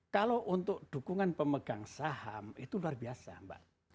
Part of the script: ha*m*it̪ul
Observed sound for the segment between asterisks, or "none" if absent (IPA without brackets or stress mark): m